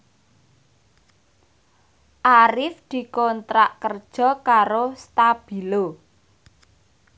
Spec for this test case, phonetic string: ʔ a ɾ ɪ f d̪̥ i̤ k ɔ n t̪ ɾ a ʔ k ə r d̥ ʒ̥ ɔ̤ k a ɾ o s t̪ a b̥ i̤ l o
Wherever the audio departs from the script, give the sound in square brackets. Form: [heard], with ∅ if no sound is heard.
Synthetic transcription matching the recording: ʔ a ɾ ɪ f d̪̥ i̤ k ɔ n t̪ ɾ a ʔ k ə r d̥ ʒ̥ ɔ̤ k a ɾ o s t̪ a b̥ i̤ l o